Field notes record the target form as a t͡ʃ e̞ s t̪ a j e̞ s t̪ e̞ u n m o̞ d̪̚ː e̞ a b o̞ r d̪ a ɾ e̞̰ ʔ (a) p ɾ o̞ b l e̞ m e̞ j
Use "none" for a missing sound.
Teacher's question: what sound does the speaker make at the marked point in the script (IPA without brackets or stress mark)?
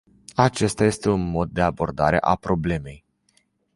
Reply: a